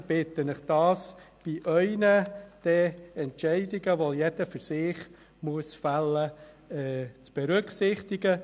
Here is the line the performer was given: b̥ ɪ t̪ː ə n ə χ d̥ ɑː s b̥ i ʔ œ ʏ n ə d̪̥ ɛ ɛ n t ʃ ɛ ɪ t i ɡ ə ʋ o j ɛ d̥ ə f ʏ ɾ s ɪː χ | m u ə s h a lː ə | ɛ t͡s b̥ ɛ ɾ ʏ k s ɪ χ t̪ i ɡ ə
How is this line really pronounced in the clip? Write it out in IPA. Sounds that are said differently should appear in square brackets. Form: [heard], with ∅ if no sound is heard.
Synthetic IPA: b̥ ɪ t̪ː ə n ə χ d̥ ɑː s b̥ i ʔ œ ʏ n ə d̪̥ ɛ ɛ n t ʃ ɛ ɪ [d] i ɡ ə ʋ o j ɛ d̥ ə f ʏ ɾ s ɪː χ | m u ə s [f] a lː ə | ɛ t͡s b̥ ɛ ɾ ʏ k s ɪ χ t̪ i ɡ ə